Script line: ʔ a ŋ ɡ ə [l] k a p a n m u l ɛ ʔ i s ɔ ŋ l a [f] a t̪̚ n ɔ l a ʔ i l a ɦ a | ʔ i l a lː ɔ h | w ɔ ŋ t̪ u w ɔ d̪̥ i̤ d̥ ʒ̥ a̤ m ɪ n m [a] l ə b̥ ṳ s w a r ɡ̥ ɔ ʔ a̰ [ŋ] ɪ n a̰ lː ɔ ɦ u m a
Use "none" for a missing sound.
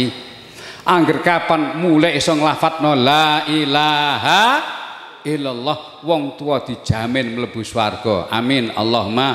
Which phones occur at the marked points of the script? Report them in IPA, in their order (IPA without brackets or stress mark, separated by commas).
r, f, ə, m